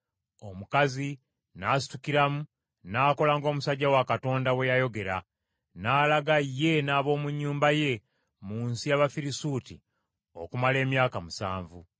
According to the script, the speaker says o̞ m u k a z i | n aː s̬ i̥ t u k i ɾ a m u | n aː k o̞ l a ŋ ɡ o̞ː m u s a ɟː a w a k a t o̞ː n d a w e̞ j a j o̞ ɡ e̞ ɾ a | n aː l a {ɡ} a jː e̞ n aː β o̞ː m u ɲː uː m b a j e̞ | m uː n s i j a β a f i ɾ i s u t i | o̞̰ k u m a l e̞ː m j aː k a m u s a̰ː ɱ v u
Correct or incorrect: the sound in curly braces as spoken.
correct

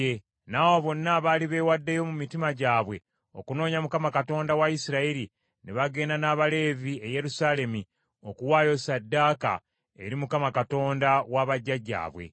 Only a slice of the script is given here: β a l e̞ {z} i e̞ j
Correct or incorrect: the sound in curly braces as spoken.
incorrect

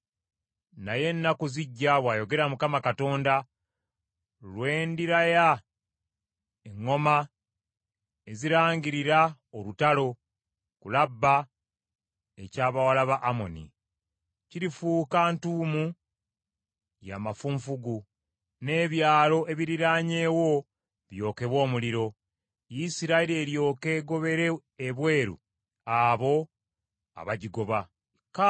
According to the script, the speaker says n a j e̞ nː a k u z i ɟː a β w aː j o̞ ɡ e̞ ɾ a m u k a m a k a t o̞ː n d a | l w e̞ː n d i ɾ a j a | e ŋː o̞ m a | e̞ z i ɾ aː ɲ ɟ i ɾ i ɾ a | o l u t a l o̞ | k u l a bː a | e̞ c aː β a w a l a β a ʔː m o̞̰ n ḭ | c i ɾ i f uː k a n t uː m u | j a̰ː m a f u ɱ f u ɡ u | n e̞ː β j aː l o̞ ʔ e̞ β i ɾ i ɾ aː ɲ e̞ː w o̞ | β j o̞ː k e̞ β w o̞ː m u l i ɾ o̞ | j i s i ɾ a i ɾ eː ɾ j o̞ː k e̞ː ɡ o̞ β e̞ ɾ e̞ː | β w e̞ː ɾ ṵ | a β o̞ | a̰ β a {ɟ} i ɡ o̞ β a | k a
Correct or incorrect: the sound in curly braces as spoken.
correct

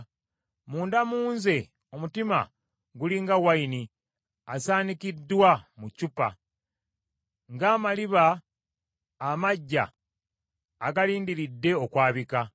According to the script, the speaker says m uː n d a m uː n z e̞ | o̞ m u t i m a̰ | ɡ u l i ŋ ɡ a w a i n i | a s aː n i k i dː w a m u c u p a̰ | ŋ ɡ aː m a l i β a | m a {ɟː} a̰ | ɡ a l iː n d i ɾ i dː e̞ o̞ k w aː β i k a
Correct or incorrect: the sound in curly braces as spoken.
correct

